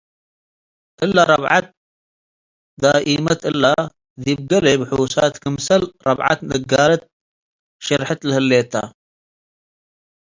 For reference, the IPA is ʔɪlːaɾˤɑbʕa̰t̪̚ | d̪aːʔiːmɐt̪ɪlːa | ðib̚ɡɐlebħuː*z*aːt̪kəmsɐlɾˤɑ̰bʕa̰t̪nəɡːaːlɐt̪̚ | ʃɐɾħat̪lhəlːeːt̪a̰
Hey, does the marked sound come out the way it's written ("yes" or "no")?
no